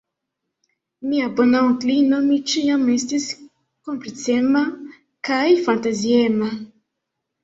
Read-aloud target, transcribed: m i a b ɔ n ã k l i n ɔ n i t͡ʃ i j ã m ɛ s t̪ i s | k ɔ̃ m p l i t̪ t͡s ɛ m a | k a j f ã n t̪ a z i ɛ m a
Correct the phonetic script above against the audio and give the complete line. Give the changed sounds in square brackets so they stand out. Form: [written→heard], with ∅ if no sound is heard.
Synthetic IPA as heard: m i a b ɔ n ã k l i n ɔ [n→m] i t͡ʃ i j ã m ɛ s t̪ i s | k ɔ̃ m p l i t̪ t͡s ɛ m a | k a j f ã n t̪ a z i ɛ m a